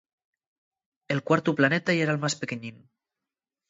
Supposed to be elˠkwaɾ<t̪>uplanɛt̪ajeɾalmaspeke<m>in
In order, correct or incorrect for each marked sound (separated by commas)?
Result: correct, incorrect